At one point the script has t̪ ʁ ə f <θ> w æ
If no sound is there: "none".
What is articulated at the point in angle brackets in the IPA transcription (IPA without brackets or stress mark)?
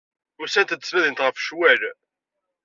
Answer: ʃ